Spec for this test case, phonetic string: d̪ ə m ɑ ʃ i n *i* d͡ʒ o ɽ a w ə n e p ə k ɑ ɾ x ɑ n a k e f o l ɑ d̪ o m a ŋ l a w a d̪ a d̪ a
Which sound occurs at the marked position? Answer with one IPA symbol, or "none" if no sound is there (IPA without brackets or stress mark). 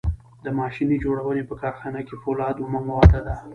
i